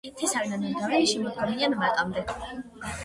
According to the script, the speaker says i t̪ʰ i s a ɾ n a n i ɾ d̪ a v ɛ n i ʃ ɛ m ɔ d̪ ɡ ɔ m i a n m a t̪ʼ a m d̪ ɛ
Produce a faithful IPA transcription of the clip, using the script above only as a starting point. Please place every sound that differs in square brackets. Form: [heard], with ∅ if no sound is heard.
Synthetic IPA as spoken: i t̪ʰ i s a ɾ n a n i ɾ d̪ a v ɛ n i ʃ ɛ m ɔ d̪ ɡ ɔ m i a n m a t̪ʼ a m d̪ ɛ

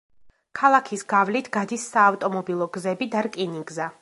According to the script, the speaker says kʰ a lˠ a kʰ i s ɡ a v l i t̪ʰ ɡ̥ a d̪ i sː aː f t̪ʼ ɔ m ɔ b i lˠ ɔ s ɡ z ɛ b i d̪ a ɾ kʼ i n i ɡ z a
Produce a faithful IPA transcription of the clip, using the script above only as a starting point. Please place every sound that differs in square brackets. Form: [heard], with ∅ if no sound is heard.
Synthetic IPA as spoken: kʰ a lˠ a kʰ i s ɡ a v l i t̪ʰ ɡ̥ a d̪ i sː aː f t̪ʼ ɔ m ɔ b i lˠ ɔ [∅] ɡ z ɛ b i d̪ a ɾ kʼ i n i ɡ z a

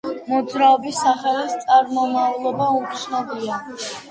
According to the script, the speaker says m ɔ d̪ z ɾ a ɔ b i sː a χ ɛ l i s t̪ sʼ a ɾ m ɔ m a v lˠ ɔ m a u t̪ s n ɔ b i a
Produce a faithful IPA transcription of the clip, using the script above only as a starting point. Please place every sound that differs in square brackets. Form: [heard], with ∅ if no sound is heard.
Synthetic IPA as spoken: m ɔ d̪ z ɾ a ɔ b i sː a χ ɛ l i s t̪ sʼ a ɾ m ɔ m a v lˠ ɔ [b] a u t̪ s n ɔ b i a

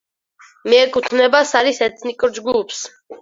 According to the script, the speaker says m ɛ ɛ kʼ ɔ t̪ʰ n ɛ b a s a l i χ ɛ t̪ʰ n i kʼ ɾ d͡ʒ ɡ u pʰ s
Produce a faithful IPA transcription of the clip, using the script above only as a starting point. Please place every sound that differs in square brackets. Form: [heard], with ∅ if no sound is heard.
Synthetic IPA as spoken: m ɛ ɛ kʼ [u] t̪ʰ n ɛ b a s a [ɾ] i [s] ɛ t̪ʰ n i kʼ ɾ d͡ʒ ɡ u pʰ s

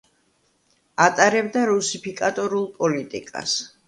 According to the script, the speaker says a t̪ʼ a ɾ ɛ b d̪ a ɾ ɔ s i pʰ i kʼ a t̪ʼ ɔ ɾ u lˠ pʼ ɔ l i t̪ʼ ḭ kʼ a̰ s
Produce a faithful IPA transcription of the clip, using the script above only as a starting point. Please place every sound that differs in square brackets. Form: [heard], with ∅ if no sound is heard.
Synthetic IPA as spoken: a t̪ʼ a ɾ ɛ b d̪ a ɾ [u] s i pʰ i kʼ a t̪ʼ ɔ ɾ u lˠ pʼ ɔ l i t̪ʼ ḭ kʼ a̰ s

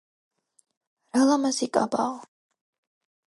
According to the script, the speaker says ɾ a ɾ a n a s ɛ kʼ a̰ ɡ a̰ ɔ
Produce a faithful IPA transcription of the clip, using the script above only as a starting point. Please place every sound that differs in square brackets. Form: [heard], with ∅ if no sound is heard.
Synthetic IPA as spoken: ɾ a [l] a [m] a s [i] kʼ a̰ [b] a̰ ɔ

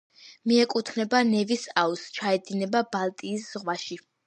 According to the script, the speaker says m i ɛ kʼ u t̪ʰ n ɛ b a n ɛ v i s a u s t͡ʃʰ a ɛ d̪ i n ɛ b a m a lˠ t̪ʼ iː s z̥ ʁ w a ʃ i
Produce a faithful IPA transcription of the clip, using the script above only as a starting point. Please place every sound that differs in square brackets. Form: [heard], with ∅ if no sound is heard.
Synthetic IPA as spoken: m i ɛ kʼ u t̪ʰ n ɛ b a n ɛ v i s a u s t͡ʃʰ a ɛ d̪ i n ɛ b a [b] a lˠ t̪ʼ iː s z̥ ʁ w a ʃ i

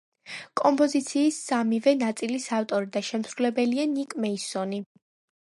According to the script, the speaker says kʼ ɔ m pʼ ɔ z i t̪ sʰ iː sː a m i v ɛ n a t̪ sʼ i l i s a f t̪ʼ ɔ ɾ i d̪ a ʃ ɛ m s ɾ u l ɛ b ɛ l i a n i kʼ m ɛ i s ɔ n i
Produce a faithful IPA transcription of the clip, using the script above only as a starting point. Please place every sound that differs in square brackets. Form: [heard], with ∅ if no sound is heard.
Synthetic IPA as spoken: kʼ ɔ m pʼ ɔ z i t̪ sʰ iː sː a m i v ɛ n a t̪ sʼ i l i s a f t̪ʼ ɔ ɾ i d̪ a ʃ ɛ m s ɾ u l ɛ b ɛ l i a n i kʼ m ɛ i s ɔ n i

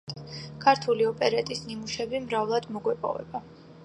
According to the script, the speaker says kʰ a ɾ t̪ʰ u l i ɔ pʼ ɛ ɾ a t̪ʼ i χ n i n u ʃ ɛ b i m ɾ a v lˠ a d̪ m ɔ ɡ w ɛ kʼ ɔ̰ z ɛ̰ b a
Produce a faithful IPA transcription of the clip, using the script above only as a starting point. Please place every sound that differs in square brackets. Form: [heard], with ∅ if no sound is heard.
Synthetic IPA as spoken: kʰ a ɾ t̪ʰ u l i ɔ pʼ ɛ ɾ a t̪ʼ i [s] n i [m] u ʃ ɛ b i m ɾ a v lˠ a d̪ m ɔ ɡ w ɛ [pʼ] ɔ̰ [v] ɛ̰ b a

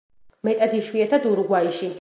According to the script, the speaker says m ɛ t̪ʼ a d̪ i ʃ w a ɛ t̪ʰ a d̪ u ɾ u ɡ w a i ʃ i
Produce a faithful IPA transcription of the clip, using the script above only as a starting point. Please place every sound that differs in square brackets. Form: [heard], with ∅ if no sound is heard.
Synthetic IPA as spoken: m ɛ t̪ʼ a d̪ i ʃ w [i] ɛ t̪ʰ a d̪ u ɾ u ɡ w a i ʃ i

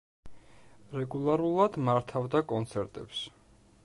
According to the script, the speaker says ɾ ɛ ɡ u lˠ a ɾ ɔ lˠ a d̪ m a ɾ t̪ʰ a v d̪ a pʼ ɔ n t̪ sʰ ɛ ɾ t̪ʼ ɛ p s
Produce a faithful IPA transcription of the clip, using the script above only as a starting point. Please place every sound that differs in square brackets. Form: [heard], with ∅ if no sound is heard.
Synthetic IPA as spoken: ɾ ɛ ɡ u lˠ a ɾ [u] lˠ a d̪ m a ɾ t̪ʰ a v d̪ a [kʼ] ɔ n t̪ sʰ ɛ ɾ t̪ʼ ɛ p s

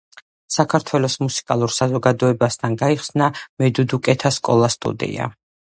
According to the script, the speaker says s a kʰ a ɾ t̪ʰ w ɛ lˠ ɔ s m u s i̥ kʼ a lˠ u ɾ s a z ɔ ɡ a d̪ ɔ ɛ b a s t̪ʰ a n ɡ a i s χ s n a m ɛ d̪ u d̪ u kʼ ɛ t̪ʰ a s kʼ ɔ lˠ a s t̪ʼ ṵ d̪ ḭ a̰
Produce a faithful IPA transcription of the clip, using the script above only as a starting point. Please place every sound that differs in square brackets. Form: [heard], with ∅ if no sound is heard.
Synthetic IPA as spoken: s a kʰ a ɾ t̪ʰ w ɛ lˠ ɔ s m u s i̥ kʼ a lˠ u ɾ s a z ɔ ɡ a d̪ ɔ ɛ b a s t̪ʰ a n ɡ a i [∅] χ s n a m ɛ d̪ u d̪ u kʼ ɛ t̪ʰ a s kʼ ɔ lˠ a s t̪ʼ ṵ d̪ ḭ a̰

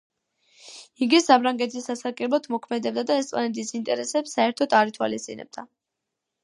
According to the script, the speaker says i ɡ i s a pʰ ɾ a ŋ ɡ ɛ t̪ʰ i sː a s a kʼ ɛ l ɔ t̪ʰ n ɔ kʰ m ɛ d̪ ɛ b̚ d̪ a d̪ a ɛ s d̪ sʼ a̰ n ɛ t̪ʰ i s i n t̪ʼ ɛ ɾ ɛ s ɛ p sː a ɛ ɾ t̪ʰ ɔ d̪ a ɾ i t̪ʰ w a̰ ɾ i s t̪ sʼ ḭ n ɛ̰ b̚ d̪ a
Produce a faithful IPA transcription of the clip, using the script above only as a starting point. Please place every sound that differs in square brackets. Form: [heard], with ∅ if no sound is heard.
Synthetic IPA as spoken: i ɡ i s a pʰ ɾ a ŋ ɡ ɛ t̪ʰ i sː a s a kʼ ɛ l ɔ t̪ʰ [m] ɔ kʰ m ɛ d̪ ɛ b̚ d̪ a d̪ a ɛ s [t̪] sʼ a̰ n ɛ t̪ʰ i s i n t̪ʼ ɛ ɾ ɛ s ɛ p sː a ɛ ɾ t̪ʰ ɔ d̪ a ɾ i t̪ʰ w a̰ [l] i s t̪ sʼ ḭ n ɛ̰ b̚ d̪ a

